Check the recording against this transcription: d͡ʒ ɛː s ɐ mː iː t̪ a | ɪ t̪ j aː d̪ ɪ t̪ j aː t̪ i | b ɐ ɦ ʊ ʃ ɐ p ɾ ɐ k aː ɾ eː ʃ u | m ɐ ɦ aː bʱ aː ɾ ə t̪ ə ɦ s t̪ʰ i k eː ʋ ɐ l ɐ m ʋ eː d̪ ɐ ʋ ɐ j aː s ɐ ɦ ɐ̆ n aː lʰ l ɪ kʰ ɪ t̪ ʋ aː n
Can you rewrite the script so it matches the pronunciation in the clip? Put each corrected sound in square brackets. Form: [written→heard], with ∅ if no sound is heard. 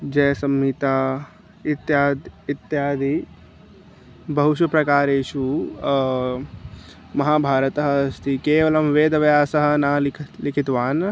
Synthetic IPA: d͡ʒ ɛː s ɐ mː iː t̪ a | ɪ t̪ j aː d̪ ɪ t̪ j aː [t̪→d̪] i | b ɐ ɦ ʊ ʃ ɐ p ɾ ɐ k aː ɾ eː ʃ u | m ɐ ɦ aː bʱ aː ɾ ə t̪ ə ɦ s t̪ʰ i k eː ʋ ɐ l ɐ m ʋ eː d̪ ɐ ʋ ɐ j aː s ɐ ɦ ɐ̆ n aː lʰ l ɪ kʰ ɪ t̪ ʋ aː n